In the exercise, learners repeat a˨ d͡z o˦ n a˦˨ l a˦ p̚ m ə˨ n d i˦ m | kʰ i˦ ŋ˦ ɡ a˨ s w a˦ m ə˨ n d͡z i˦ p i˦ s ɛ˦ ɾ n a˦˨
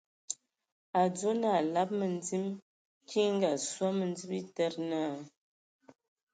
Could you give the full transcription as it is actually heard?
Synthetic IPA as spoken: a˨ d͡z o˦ n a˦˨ l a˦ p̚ m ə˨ n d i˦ m | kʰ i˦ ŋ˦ ɡ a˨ s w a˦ m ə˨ n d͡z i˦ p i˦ t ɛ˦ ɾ n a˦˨